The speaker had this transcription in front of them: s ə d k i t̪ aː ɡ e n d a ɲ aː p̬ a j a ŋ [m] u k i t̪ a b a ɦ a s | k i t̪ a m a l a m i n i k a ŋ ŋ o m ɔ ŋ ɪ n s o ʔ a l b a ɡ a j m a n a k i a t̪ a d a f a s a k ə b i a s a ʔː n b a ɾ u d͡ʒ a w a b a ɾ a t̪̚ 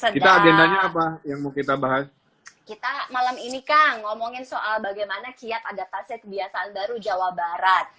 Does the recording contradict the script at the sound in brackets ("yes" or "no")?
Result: no